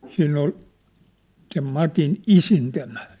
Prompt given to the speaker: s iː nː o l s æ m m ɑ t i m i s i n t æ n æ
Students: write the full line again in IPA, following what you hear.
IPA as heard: s iː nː o l s e m m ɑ t i n i s i n t æ m æ